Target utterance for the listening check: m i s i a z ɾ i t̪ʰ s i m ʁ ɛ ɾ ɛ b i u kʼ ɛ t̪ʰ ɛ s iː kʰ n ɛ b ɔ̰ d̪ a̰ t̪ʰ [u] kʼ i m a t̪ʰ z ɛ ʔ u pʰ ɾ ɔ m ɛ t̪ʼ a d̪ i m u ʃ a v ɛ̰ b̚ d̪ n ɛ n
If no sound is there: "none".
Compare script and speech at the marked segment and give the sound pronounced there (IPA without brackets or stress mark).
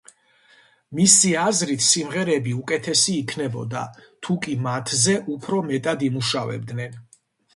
u